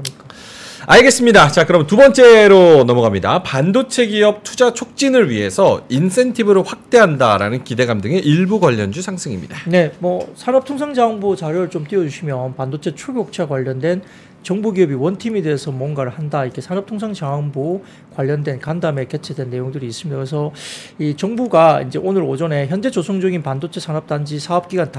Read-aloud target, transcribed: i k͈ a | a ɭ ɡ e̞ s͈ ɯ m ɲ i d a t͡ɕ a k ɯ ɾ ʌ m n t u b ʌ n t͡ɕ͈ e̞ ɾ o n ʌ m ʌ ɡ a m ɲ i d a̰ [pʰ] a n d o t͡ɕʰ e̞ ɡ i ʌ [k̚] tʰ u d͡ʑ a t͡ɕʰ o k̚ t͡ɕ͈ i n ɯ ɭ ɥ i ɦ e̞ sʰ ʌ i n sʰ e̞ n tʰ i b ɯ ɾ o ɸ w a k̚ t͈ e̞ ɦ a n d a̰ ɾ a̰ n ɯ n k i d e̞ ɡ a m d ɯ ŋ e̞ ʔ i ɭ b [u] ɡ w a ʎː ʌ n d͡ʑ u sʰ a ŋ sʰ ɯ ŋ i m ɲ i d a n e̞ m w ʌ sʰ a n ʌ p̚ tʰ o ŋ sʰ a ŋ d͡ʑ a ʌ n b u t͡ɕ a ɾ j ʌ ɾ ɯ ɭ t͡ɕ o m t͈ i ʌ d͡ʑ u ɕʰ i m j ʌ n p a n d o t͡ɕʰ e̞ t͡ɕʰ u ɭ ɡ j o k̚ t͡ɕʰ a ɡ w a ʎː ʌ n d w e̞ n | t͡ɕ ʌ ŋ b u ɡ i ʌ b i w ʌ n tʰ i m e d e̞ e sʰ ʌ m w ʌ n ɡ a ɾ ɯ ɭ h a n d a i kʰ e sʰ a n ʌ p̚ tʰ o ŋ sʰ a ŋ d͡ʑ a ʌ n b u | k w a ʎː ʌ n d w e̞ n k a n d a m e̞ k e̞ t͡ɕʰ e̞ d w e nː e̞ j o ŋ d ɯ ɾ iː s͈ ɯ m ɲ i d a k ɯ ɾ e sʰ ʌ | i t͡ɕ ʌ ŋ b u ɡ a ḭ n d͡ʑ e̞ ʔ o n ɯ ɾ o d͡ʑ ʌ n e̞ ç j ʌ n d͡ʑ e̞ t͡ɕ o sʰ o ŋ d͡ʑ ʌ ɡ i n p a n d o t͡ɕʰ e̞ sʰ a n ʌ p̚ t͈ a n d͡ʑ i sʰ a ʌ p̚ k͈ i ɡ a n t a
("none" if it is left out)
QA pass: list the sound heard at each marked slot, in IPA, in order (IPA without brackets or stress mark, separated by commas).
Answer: p, p̚, u